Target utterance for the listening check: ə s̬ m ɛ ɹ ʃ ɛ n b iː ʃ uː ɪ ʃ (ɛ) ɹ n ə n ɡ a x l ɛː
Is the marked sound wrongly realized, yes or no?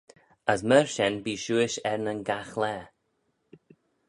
no